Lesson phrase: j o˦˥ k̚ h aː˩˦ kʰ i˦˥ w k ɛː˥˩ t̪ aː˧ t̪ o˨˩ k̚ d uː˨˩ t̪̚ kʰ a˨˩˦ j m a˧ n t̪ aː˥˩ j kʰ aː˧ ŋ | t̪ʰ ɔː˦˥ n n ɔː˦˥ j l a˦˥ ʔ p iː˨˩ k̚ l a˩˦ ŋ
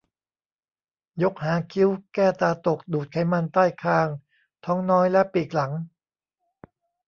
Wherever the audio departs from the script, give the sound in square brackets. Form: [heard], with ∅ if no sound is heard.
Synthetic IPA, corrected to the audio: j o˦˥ k̚ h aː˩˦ kʰ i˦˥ w k ɛː˥˩ t̪ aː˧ t̪ o˨˩ k̚ d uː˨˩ t̪̚ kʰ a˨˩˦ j m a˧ n t̪ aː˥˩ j kʰ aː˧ ŋ | t̪ʰ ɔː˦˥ [ŋ] n ɔː˦˥ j l [ɛ˦˥] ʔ p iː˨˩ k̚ l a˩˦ ŋ